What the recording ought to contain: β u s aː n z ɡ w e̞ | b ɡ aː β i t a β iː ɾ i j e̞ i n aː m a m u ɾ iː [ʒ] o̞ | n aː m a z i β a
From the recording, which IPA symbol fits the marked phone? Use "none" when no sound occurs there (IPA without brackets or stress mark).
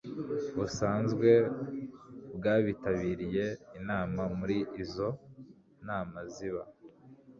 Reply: z